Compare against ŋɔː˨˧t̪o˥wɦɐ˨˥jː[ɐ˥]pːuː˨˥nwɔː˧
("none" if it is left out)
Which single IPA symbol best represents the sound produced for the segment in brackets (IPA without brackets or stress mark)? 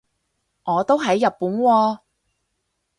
ɐ˨